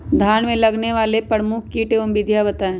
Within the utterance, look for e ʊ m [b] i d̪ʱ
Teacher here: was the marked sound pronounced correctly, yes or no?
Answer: yes